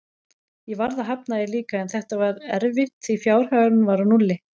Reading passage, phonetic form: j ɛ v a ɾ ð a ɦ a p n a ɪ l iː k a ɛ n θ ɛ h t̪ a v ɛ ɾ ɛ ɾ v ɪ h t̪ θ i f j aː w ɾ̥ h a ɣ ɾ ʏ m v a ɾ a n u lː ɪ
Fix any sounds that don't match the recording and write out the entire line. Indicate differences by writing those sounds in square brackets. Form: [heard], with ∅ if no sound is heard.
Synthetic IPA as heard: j ɛ v a ɾ ð a ɦ a p n a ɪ l iː k a ɛ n θ ɛ h t̪ a v [a] ɾ ɛ ɾ v ɪ h t̪ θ i f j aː w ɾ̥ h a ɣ ɾ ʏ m v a ɾ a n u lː ɪ